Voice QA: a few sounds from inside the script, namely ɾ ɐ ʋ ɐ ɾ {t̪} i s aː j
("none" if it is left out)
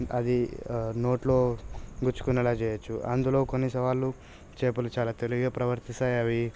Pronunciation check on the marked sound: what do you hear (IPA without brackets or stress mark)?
t̪